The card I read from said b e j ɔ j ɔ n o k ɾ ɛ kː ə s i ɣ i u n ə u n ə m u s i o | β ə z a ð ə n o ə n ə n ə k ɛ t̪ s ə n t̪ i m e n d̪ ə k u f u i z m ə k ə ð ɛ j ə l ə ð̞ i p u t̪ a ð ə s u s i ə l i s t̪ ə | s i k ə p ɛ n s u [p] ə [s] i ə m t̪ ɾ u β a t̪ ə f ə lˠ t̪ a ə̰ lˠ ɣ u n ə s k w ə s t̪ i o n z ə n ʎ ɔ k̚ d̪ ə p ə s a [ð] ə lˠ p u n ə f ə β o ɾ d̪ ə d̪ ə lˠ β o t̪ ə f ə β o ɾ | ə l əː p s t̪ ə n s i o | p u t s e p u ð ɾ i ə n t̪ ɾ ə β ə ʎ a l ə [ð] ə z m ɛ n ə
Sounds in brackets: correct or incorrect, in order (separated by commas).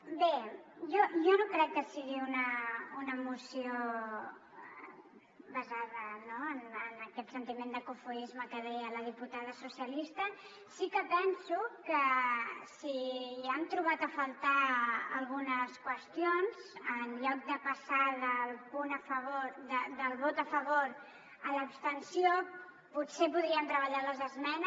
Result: incorrect, correct, correct, incorrect